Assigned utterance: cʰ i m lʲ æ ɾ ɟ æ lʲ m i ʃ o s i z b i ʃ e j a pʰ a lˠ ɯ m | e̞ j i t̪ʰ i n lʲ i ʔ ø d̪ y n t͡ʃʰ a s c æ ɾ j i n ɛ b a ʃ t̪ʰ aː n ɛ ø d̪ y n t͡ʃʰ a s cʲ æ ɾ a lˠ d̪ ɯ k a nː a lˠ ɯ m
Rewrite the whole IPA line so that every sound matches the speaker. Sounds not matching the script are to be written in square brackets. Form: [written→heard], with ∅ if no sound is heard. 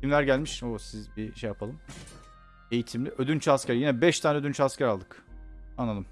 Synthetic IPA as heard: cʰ i m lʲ æ ɾ ɟ æ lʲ m i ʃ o s i z b i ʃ e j a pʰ a lˠ ɯ m | e̞ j i t̪ʰ i [n→m] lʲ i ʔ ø d̪ y n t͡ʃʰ a s c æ ɾ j i n ɛ b [a→ɛ] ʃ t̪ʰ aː n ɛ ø d̪ y n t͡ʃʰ a s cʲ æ ɾ a lˠ d̪ ɯ k a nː a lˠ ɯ m

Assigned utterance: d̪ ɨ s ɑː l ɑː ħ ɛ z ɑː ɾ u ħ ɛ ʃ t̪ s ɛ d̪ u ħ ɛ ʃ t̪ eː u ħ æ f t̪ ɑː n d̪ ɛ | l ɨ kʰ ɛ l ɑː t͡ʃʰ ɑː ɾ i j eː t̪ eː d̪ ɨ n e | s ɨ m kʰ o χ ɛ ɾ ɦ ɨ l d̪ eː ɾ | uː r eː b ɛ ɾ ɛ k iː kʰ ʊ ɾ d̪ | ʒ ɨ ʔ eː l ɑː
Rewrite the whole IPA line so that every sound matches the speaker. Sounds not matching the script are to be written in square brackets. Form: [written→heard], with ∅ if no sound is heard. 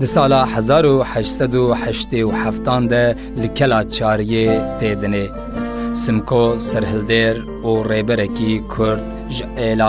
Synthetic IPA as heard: d̪ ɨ s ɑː l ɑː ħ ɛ z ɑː ɾ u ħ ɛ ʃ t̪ s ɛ d̪ u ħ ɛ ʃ t̪ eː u ħ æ f t̪ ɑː n d̪ ɛ | l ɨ kʰ ɛ l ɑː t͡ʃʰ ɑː ɾ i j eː t̪ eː d̪ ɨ n e | s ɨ m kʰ o [χ→s] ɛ ɾ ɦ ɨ l d̪ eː ɾ | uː r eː b ɛ ɾ ɛ k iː kʰ ʊ ɾ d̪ | ʒ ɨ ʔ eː l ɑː

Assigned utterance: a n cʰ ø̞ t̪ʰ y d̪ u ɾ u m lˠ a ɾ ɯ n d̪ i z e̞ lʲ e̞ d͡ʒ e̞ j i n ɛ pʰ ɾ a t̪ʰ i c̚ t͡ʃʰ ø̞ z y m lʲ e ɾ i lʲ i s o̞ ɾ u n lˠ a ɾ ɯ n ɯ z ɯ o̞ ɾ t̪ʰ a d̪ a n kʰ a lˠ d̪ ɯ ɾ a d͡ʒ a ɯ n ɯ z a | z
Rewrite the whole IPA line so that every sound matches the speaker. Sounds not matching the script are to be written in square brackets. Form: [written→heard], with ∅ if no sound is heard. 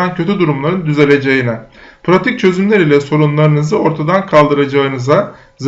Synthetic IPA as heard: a n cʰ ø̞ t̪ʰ y d̪ u ɾ u m lˠ a ɾ ɯ n d̪ [i→y] z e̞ lʲ e̞ d͡ʒ e̞ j i n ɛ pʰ ɾ a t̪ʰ i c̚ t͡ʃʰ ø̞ z y m lʲ e ɾ i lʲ [i→ɛ] s o̞ ɾ u n lˠ a ɾ ɯ n ɯ z ɯ o̞ ɾ t̪ʰ a d̪ a n kʰ a lˠ d̪ ɯ ɾ a d͡ʒ a ɯ n ɯ z a | z

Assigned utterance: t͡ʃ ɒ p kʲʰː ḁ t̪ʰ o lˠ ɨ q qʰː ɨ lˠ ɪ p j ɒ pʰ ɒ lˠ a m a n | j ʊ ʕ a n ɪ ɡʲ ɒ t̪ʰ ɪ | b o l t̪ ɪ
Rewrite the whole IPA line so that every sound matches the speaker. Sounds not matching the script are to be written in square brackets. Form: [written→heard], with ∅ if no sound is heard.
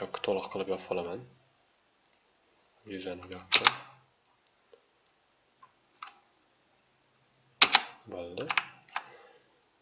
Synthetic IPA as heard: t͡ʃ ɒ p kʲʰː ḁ t̪ʰ o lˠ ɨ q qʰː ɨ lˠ ɪ p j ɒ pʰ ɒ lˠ a m a n | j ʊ [ʕ→z] a n ɪ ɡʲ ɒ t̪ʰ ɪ | b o l [t̪→d̪] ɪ

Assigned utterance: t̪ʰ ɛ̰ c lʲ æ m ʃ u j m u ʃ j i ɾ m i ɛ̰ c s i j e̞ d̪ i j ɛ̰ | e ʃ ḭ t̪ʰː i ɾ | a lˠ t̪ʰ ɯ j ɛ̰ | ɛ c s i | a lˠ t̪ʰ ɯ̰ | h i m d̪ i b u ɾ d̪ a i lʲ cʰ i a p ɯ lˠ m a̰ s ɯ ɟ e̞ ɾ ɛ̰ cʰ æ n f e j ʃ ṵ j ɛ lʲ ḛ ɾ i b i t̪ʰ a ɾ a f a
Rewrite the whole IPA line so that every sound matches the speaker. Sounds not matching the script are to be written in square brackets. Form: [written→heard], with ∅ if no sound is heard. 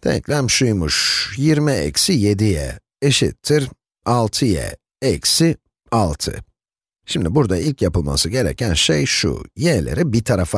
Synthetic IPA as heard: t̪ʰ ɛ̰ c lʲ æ m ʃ u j m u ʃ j i ɾ m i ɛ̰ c s i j e̞ d̪ i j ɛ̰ | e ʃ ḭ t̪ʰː i ɾ | a lˠ t̪ʰ ɯ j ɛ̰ | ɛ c s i | a lˠ t̪ʰ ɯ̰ | [h→ʃ] i m d̪ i b u ɾ d̪ a i lʲ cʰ [i→j] a p ɯ lˠ m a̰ s ɯ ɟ e̞ ɾ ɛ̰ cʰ æ n [f→ʃ] e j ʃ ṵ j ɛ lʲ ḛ ɾ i b i t̪ʰ a ɾ a f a

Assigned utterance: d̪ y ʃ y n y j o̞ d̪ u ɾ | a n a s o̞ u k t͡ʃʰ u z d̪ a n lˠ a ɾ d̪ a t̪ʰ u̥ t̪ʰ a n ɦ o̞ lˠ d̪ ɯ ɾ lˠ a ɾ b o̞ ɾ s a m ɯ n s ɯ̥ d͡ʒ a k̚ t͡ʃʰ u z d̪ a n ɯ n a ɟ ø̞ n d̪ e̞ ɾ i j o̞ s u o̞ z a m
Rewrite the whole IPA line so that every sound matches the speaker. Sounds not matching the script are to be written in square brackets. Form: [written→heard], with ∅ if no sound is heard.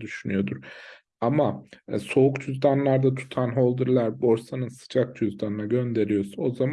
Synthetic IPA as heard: d̪ y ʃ y n y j o̞ d̪ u ɾ | a [n→m] a s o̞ u k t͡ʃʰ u z d̪ a n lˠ a ɾ d̪ a t̪ʰ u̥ t̪ʰ a n ɦ o̞ lˠ d̪ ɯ ɾ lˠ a ɾ b o̞ ɾ s a [m→n] ɯ n s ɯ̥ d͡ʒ a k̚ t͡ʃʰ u z d̪ a n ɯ n a ɟ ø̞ n d̪ e̞ ɾ i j o̞ s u o̞ z a m

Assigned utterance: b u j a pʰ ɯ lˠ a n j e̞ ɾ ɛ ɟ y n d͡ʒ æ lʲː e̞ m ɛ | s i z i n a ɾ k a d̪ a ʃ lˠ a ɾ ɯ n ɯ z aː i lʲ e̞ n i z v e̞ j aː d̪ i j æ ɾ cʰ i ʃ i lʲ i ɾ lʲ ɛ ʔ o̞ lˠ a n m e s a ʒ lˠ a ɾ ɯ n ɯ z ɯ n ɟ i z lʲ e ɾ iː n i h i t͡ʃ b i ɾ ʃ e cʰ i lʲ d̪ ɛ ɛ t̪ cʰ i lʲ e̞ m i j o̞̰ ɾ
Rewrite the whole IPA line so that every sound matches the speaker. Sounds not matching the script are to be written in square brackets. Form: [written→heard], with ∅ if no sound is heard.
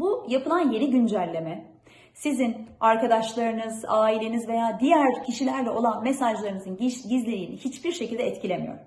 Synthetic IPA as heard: b u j a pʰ ɯ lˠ a n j e̞ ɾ [ɛ→i] ɟ y n d͡ʒ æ lʲː e̞ m ɛ | s i z i n a ɾ k a d̪ a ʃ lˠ a ɾ ɯ n ɯ z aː i lʲ e̞ n i z v e̞ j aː d̪ i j æ ɾ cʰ i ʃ i lʲ [i→æ] ɾ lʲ ɛ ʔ o̞ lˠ a n m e s a ʒ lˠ a ɾ ɯ n ɯ z ɯ n ɟ i z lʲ e ɾ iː n i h i t͡ʃ b i ɾ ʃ e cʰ i lʲ d̪ ɛ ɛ t̪ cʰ i lʲ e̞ m i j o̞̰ ɾ

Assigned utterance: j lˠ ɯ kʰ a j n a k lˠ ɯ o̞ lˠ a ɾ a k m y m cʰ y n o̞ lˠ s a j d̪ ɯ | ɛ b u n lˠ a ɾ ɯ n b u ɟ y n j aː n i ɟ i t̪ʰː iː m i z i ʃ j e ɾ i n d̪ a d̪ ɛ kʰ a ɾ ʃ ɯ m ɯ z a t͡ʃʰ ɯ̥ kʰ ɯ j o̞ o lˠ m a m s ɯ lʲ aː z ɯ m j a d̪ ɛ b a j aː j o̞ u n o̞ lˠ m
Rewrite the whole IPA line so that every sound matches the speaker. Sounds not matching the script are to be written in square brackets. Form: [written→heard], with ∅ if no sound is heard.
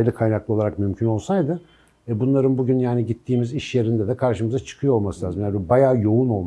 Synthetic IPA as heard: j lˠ ɯ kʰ a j n a k lˠ ɯ o̞ lˠ a ɾ a k m y m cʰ y n o̞ lˠ s a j d̪ ɯ | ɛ b u n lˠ a ɾ ɯ n b u ɟ y n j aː n i ɟ i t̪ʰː iː m i z i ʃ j e ɾ i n d̪ [a→ɛ] d̪ ɛ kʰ a ɾ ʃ ɯ m ɯ z a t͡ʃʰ ɯ̥ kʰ ɯ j o̞ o lˠ m a [m→∅] s ɯ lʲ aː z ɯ m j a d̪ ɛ b a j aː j o̞ u n o̞ lˠ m

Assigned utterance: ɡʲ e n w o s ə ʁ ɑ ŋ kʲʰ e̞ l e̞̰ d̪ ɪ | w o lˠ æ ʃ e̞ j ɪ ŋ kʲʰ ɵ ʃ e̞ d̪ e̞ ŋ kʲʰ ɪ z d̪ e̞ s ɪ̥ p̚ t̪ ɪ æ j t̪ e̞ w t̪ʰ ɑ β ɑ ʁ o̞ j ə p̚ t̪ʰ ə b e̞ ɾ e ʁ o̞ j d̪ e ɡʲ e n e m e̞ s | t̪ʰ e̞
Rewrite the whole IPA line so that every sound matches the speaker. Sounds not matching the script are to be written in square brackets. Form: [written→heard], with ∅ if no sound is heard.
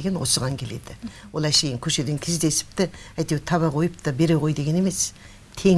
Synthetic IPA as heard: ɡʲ e n w o s ə ʁ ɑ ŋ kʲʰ e̞ l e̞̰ d̪ ɪ | w o lˠ æ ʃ e̞ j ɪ ŋ kʲʰ ɵ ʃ e̞ d̪ e̞ ŋ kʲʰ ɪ z d̪ e̞ s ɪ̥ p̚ t̪ ɪ æ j t̪ e̞ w t̪ʰ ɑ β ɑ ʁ o̞ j ə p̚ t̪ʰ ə b e̞ ɾ e ʁ o̞ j d̪ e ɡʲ e n e m e̞ s | t̪ʰ e̞

